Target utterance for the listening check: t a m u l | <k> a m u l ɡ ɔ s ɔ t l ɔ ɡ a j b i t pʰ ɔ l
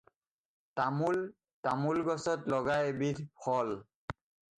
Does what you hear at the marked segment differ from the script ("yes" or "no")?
yes